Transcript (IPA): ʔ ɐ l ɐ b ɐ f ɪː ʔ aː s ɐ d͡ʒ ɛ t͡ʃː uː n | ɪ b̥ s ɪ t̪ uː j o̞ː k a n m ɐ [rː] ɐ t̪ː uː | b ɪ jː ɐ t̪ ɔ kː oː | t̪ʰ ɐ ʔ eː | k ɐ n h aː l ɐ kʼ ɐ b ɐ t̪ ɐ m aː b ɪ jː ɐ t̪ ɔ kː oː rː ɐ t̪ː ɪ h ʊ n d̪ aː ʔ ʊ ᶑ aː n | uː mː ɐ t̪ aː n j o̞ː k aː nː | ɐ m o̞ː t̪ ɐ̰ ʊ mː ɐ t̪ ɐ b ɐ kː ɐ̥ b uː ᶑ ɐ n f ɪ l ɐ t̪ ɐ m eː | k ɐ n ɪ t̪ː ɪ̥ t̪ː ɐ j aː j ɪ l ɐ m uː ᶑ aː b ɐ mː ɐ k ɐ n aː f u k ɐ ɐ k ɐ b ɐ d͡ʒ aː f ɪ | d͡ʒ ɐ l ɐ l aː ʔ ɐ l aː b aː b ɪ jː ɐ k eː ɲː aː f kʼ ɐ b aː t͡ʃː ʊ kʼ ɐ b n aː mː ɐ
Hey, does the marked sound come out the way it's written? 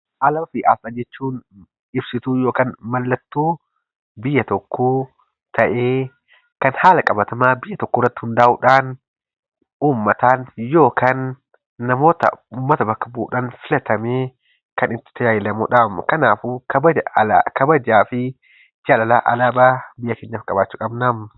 no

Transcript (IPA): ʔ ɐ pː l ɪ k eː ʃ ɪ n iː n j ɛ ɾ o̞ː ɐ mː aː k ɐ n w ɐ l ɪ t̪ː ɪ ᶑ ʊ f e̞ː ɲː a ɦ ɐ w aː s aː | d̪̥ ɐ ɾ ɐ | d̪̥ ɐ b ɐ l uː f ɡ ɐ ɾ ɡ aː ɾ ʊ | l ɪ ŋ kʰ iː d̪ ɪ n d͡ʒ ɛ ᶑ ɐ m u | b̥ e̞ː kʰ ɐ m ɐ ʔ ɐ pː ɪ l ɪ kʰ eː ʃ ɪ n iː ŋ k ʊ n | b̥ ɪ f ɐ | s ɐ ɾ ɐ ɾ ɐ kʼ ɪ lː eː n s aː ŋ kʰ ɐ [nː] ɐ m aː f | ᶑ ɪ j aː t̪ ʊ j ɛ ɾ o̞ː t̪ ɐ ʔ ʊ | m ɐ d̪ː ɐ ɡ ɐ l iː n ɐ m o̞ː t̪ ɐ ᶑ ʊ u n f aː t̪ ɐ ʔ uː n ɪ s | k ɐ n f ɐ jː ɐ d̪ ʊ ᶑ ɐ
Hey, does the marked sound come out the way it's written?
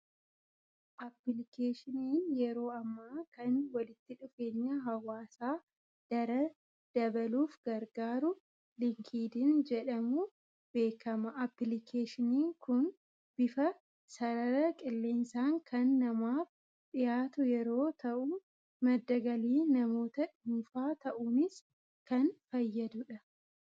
yes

